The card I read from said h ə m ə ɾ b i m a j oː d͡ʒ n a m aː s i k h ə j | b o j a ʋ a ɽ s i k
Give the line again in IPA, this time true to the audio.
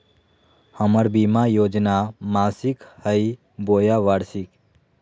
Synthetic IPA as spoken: h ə m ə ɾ b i m a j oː d͡ʒ n a m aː s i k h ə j | b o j a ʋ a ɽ s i k